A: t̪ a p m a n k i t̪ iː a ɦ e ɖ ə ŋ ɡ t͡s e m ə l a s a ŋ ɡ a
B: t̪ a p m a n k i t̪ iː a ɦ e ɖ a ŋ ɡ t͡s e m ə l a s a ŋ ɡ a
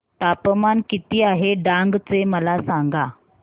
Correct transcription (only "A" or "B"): B